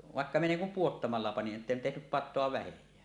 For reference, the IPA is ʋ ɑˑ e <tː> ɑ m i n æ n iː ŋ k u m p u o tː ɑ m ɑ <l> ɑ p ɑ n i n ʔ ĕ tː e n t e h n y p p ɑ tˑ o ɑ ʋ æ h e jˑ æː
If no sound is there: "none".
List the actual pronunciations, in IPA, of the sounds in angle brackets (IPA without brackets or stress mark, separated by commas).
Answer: kː, lː